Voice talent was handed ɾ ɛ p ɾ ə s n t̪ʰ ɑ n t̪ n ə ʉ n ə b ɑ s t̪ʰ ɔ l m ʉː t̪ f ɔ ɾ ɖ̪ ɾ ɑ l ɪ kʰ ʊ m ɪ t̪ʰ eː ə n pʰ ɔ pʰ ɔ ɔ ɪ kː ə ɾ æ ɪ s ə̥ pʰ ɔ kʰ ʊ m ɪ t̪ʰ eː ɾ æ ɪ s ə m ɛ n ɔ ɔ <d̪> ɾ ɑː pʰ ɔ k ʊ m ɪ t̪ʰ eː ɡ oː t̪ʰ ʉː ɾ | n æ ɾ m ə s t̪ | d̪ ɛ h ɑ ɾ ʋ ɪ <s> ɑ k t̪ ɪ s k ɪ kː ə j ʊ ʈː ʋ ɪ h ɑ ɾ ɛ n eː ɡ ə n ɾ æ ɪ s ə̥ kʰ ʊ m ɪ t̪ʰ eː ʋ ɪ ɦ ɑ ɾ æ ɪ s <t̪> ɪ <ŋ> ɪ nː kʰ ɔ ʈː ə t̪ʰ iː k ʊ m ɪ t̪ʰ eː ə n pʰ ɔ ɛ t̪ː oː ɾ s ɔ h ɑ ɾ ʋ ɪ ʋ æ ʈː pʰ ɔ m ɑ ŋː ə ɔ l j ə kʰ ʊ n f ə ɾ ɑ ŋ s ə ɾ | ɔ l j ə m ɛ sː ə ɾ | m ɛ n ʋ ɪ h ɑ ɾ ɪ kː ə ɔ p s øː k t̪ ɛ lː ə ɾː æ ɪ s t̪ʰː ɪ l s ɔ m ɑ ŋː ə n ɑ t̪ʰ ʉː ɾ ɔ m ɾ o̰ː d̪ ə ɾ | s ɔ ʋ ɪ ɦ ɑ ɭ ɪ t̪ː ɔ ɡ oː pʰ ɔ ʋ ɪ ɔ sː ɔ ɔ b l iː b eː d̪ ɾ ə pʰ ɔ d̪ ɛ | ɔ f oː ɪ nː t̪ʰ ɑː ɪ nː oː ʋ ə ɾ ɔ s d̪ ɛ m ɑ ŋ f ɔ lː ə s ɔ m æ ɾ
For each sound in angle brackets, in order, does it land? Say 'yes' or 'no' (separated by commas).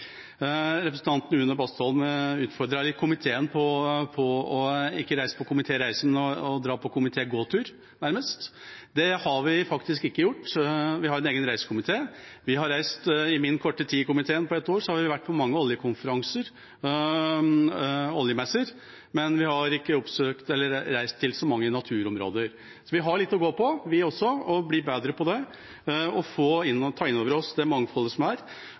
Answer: yes, no, yes, no